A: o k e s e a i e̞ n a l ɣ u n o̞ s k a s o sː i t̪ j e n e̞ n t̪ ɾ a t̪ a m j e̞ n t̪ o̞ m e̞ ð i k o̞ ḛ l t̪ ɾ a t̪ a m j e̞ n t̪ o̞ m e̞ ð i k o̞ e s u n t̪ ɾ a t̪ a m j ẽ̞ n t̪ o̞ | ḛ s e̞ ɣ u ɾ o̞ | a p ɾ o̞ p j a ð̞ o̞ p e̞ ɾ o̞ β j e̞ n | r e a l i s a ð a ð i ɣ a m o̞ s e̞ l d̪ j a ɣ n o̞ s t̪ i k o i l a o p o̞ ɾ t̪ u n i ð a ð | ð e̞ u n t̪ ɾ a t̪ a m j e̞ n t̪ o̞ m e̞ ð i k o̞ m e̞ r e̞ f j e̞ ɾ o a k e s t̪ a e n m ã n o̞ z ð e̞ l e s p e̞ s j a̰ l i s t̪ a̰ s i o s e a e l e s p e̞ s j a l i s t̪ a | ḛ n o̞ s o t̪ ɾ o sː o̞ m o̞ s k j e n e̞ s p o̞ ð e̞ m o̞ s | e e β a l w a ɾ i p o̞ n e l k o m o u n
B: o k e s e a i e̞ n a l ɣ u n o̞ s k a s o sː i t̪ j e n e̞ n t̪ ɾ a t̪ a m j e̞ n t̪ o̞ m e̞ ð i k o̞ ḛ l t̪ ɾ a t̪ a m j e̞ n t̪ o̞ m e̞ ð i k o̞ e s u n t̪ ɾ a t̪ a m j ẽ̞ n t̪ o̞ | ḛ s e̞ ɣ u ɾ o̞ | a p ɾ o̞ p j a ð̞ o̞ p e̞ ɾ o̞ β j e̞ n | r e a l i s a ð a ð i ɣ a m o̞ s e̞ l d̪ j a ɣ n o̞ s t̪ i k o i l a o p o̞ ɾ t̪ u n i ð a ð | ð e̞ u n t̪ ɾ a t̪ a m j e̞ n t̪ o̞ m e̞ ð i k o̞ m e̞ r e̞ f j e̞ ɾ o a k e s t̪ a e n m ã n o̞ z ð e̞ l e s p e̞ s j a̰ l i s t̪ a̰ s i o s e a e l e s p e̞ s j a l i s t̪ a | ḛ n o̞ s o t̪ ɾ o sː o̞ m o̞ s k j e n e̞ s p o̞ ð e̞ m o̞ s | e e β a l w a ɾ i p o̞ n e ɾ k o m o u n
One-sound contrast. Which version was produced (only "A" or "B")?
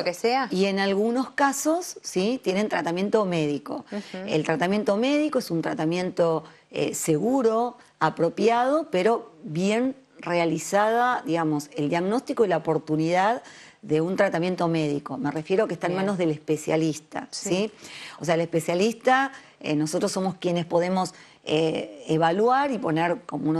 B